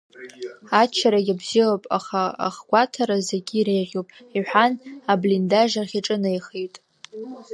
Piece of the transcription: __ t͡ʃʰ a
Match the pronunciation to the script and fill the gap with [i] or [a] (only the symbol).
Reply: a